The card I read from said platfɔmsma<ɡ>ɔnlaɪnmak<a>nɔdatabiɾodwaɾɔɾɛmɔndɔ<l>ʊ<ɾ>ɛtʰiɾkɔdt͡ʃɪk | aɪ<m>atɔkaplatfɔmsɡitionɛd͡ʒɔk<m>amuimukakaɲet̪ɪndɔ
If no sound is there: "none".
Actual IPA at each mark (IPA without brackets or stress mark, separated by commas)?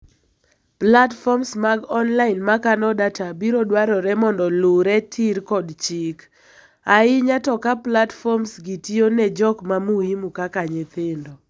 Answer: ɡ, a, l, ɾ, ɲ, m